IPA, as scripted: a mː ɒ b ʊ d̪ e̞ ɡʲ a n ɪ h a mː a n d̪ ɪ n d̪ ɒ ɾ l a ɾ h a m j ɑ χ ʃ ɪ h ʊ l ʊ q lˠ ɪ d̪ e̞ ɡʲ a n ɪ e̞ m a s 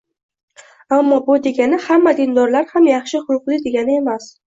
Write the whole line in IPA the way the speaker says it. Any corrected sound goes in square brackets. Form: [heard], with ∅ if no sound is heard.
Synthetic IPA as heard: a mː ɒ b ʊ d̪ e̞ ɡʲ a n ɪ h a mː a [∅] d̪ ɪ n d̪ ɒ ɾ l a ɾ h a m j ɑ χ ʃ ɪ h ʊ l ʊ q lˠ ɪ d̪ e̞ ɡʲ a n ɪ e̞ m a s